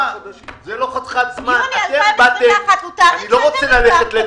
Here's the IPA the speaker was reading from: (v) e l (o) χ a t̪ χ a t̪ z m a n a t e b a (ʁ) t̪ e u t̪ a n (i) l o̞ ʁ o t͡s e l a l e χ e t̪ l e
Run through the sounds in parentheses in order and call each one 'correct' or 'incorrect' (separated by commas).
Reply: incorrect, correct, incorrect, correct